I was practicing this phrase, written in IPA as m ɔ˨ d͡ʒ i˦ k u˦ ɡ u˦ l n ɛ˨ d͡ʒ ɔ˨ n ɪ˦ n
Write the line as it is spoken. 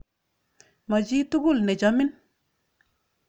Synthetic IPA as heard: m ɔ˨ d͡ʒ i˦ t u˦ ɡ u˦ l n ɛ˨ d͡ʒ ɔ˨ m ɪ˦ n